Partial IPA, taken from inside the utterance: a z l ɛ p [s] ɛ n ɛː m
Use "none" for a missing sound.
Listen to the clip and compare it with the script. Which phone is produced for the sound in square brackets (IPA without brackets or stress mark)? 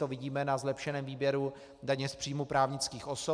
ʃ